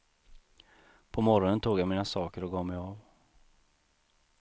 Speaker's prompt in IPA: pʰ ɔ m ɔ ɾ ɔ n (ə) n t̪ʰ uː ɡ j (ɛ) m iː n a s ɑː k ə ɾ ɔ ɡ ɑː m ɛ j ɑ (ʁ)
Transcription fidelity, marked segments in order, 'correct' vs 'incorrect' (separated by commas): correct, incorrect, incorrect